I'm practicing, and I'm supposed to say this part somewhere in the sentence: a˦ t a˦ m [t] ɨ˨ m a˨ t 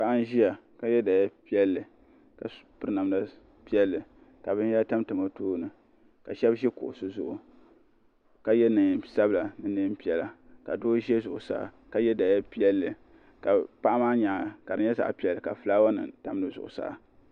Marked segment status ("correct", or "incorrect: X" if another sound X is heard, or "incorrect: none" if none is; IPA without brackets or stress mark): correct